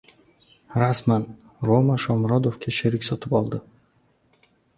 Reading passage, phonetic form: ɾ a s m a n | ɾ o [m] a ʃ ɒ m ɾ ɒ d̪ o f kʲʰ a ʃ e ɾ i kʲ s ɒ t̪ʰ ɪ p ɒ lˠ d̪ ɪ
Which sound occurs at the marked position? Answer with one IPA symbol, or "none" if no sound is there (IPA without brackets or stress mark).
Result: m